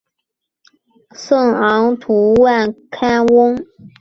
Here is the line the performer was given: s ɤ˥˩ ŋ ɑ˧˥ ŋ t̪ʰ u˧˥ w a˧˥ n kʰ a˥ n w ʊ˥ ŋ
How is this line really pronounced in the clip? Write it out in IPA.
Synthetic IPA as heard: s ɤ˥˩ ŋ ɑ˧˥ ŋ t̪ʰ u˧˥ w a˥˩ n kʰ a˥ n w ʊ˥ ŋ